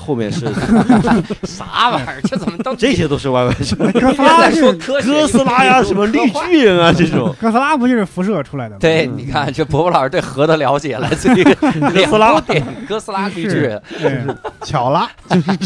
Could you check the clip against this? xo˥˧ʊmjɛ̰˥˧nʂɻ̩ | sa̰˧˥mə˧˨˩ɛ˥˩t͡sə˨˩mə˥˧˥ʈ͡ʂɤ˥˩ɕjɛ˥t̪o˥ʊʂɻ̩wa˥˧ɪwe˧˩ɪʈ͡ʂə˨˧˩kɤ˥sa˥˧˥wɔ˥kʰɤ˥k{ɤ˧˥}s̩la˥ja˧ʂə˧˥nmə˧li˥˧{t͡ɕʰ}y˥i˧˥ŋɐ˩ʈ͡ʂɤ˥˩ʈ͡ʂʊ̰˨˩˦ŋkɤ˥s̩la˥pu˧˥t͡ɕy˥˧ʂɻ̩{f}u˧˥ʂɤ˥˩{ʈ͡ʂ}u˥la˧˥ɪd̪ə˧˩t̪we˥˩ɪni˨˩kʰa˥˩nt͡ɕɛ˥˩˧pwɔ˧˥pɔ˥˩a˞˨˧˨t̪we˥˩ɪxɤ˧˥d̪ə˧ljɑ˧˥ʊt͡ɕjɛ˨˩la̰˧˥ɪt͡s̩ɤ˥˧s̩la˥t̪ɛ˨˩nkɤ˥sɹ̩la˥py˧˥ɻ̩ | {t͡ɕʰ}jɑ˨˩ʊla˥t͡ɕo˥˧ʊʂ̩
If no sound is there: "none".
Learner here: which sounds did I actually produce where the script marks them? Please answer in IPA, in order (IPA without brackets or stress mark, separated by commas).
ɤ˥, t͡ɕ, f, ʈ͡ʂʰ, t͡ɕʰ